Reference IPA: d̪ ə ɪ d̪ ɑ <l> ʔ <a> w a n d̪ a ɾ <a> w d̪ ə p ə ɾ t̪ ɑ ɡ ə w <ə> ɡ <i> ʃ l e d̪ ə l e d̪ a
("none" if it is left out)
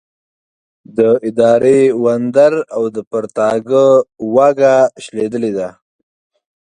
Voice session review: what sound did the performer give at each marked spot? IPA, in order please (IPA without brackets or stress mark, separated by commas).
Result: ɾ, e, a, a, a